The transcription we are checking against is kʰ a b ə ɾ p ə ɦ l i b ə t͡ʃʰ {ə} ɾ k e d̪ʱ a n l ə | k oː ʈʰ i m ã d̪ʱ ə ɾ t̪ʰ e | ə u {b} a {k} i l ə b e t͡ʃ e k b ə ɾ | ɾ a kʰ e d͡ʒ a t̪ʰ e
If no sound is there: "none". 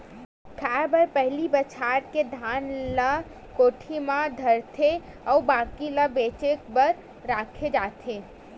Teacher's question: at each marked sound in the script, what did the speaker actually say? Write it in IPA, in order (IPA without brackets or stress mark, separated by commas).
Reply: a, b, k